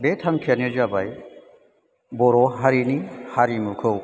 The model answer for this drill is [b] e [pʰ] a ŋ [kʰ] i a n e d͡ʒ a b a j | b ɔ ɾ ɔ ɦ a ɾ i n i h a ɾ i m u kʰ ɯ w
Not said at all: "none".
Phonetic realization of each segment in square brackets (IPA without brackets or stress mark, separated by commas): b, tʰ, kʰ